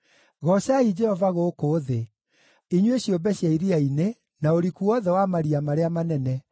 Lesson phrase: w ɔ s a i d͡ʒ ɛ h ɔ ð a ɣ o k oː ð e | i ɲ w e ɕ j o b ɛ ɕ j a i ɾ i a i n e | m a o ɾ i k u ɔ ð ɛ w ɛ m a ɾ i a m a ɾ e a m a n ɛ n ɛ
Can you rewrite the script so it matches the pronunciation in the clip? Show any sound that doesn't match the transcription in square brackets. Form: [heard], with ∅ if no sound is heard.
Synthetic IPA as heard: [ɣ] ɔ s a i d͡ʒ ɛ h ɔ [v] a ɣ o k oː ð e | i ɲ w e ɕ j o b ɛ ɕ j a i ɾ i a i n e | [n] a o ɾ i k u ɔ ð ɛ w [a] m a ɾ i a m a ɾ e a m a n ɛ n ɛ